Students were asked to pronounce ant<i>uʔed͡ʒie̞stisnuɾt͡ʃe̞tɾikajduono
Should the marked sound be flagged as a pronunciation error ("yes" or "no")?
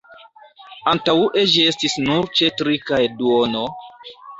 yes